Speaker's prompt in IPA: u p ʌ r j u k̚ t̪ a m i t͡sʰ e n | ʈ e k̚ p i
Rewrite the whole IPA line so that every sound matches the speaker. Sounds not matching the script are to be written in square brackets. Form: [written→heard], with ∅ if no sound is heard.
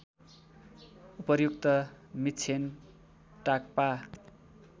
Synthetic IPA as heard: u p ʌ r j u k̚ t̪ [a→ʌ] m i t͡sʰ e n | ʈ [e→a] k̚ p [i→a]